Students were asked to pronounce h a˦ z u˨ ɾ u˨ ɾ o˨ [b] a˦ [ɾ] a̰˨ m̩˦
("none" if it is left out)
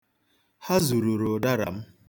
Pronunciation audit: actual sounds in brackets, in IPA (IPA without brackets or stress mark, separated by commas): d, ɾ